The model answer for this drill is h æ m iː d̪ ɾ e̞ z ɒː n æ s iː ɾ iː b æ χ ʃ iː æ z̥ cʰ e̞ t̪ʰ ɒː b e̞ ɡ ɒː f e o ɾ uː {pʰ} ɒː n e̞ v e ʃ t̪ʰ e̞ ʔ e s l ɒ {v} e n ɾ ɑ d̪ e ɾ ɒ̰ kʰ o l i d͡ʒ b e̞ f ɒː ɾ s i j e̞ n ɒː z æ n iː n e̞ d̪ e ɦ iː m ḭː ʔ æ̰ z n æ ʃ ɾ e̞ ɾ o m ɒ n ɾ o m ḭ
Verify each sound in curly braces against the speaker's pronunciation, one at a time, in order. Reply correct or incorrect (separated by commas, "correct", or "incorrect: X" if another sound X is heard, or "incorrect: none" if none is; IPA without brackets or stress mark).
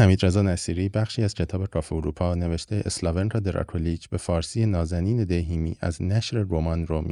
correct, correct